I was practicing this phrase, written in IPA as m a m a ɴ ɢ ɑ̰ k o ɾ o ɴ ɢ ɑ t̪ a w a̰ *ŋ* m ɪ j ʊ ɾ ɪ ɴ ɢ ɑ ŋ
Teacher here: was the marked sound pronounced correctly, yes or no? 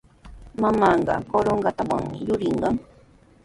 yes